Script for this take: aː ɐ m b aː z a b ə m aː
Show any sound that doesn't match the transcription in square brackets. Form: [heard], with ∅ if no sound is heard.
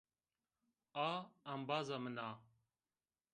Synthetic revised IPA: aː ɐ m b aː z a [m] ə [n] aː